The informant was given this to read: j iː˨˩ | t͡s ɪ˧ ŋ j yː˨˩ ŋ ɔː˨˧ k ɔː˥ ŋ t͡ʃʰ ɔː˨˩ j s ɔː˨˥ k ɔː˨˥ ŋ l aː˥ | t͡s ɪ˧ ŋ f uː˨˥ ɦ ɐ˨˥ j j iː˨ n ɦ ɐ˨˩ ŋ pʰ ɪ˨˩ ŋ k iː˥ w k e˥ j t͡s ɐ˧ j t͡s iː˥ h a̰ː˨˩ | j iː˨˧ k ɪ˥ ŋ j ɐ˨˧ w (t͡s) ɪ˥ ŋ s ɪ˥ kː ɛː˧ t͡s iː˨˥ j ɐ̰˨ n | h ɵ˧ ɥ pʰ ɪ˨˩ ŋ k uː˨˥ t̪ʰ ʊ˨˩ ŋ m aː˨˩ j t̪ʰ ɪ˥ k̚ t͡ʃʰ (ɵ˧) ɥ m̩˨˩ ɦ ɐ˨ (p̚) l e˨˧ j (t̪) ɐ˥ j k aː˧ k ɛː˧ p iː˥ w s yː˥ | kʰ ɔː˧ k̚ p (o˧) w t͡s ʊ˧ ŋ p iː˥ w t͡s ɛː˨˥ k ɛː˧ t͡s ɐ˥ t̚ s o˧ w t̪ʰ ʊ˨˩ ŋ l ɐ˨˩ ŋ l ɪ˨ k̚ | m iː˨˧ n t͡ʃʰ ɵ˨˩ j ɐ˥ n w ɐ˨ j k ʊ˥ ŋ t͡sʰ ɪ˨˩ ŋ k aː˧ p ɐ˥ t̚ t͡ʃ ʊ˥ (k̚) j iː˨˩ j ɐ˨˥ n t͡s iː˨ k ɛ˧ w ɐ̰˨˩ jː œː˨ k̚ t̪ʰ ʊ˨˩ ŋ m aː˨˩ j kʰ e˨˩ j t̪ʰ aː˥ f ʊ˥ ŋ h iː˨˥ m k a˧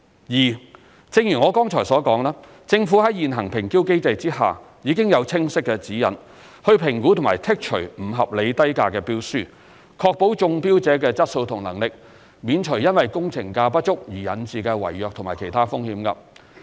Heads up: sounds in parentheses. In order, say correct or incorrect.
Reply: incorrect: t͡sʰ, incorrect: ɵ˨˩, correct, correct, incorrect: o˨˥, correct

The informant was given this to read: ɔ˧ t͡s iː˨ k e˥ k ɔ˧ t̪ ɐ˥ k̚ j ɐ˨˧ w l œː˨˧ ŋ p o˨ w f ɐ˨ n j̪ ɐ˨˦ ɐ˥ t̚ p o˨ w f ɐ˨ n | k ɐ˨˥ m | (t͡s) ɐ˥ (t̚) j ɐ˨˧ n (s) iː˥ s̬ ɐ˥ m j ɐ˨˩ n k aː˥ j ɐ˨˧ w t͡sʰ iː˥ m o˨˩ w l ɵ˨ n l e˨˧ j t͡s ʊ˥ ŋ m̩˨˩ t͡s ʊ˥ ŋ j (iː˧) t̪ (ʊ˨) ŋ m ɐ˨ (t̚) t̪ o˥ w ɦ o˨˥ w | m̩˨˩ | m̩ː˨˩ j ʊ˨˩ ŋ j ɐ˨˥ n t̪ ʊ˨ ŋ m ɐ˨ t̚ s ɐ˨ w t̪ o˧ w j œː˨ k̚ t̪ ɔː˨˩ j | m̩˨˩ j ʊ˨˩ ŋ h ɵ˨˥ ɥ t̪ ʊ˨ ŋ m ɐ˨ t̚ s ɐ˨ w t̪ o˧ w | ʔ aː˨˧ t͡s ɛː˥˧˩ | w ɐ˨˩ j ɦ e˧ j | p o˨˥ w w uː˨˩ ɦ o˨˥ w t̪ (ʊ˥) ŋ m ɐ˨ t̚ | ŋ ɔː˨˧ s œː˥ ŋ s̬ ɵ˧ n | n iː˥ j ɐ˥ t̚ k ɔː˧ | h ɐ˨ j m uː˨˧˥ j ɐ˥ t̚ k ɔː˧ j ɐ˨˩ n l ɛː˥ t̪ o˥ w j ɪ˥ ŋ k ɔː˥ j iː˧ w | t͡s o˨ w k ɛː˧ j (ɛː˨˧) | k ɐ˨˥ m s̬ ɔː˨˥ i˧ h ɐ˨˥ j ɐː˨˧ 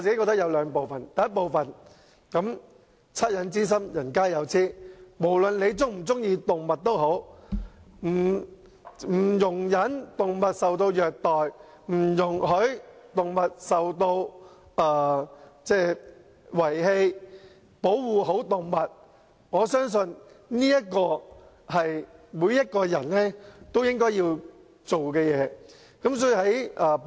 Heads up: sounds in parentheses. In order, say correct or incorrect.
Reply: incorrect: t͡sʰ, correct, incorrect: t͡s, correct, correct, correct, incorrect: ʊ˨, correct

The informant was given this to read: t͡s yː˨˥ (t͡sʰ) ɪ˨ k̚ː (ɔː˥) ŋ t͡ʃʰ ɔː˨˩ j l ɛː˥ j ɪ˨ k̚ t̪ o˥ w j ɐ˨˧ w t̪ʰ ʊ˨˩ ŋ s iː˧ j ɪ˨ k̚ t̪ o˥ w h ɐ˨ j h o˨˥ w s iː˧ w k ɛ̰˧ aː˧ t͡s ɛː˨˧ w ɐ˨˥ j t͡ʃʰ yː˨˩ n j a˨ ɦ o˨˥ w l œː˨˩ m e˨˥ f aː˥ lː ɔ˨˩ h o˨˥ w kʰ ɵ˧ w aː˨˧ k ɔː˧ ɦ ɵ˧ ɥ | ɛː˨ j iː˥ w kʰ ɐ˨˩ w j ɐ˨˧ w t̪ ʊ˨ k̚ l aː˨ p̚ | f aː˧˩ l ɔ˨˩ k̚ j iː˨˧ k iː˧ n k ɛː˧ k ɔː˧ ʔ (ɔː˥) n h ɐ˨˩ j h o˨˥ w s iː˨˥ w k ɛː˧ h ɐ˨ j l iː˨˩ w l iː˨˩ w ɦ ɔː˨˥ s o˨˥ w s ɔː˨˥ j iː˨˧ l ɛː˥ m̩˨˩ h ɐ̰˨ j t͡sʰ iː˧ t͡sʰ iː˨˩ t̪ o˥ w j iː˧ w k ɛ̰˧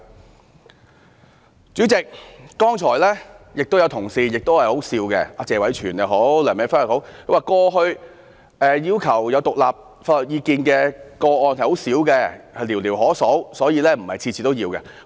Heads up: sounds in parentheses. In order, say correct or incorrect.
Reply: incorrect: t͡s, correct, incorrect: ɔː˧

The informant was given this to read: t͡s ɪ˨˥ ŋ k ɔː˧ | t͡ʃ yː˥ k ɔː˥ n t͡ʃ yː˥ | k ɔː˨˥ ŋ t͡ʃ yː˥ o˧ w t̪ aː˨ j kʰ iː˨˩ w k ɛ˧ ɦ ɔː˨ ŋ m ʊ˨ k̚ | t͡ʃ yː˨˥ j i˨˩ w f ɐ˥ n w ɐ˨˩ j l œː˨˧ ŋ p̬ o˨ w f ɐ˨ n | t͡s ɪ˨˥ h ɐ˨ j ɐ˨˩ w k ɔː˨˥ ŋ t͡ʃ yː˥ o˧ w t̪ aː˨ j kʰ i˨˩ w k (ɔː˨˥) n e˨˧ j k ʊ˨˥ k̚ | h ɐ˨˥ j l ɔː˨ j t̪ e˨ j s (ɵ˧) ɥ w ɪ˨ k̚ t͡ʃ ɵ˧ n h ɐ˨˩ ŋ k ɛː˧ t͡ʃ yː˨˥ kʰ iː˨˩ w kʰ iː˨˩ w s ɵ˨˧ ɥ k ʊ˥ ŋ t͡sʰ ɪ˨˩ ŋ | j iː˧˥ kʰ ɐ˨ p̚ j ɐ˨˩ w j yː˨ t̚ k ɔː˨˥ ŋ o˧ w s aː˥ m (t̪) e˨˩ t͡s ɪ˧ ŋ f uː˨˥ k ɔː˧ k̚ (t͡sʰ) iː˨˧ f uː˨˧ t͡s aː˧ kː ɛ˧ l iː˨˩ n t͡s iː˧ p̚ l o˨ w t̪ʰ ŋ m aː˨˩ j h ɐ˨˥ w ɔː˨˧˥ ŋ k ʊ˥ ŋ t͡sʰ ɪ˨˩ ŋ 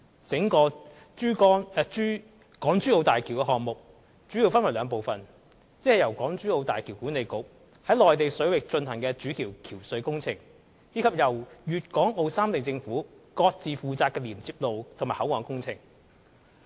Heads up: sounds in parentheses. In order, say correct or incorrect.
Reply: incorrect: uː˨˥, incorrect: ɵ˨˥, correct, incorrect: t͡s

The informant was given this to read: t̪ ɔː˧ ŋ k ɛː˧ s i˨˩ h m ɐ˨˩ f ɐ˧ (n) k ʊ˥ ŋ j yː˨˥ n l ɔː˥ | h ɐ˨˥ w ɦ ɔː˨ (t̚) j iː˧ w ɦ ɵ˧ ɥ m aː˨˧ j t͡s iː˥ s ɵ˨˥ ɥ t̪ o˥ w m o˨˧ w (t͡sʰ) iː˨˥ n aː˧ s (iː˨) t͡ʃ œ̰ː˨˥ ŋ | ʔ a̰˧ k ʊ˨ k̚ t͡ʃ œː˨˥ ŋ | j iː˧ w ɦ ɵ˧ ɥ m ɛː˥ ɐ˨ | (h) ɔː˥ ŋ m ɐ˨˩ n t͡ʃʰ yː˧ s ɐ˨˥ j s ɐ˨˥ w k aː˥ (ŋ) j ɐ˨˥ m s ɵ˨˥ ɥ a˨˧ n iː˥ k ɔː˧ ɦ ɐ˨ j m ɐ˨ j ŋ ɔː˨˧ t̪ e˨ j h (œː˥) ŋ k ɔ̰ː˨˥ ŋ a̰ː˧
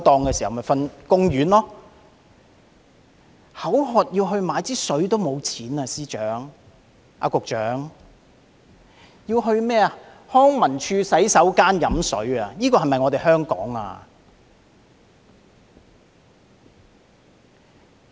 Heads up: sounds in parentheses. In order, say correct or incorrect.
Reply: correct, correct, correct, incorrect: iː˥, correct, incorrect: n, correct

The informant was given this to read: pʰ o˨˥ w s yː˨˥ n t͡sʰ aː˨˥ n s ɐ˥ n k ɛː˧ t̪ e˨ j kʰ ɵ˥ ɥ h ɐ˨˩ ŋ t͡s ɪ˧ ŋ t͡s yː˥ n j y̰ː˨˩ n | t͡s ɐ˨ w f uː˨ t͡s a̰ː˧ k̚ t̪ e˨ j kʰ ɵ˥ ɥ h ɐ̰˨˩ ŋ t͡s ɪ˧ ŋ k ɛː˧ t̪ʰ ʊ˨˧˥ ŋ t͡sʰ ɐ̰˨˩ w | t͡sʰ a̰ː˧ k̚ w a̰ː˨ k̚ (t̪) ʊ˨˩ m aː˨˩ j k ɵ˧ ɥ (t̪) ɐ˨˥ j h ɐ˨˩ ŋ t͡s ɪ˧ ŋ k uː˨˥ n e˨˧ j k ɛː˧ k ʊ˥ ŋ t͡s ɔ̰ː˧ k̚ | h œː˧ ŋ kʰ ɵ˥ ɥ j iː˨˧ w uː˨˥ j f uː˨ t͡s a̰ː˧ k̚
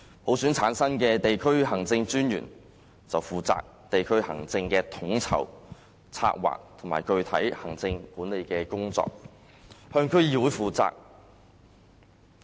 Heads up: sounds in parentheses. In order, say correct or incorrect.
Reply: incorrect: t̪ʰ, incorrect: t̪ʰ

